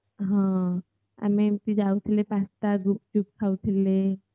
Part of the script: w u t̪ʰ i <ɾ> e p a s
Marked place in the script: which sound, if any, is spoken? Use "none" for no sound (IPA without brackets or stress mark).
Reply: l